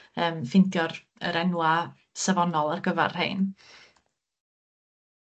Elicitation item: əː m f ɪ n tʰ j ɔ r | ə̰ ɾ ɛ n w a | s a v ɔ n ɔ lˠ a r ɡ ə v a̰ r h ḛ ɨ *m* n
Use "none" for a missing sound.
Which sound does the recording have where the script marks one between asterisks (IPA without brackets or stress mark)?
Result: none